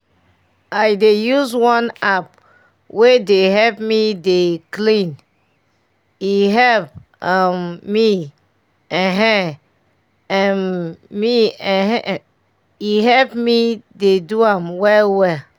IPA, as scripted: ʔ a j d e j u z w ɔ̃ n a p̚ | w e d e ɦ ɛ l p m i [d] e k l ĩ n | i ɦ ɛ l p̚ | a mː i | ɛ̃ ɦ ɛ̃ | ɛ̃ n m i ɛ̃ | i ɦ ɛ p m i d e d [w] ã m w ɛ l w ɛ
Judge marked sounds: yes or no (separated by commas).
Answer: yes, no